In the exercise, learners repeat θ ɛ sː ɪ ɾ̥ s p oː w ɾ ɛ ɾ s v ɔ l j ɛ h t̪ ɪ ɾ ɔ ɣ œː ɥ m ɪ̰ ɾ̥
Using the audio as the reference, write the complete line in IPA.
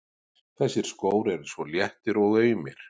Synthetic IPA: θ ɛ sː ɪ ɾ̥ s k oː w ɾ ɛ ɾ s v ɔ l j ɛ h t̪ ɪ ɾ ɔ ɣ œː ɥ m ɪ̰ ɾ̥